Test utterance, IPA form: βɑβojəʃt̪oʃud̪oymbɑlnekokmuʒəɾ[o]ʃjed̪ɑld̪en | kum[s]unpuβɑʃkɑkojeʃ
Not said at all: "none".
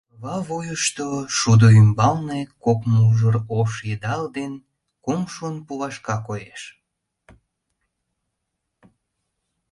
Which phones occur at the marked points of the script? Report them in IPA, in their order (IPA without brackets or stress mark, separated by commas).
o, ʃ